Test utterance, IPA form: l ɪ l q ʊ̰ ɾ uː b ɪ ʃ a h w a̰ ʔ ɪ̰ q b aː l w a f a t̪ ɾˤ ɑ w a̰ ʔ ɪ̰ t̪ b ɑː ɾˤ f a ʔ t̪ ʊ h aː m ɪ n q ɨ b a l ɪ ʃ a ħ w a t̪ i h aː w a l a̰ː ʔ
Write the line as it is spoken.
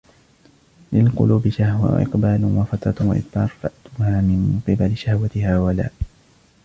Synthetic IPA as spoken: l ɪ l q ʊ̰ l uː b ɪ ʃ a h w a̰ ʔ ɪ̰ q b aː l w a f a t̪ ɾˤ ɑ w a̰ ʔ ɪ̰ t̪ b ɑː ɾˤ f a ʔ t̪ ʊ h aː m ɪ n q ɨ b a l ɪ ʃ a h w a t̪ ɪ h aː w a l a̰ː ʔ